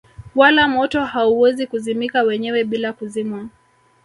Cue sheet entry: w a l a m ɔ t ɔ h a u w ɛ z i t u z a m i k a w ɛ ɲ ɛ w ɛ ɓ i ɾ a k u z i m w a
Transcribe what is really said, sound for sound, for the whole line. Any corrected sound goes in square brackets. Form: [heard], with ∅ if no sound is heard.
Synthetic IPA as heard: w a l a m ɔ t ɔ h a u w ɛ z i [k] u z [i] m i k a w ɛ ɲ ɛ w ɛ ɓ i [l] a k u z i m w a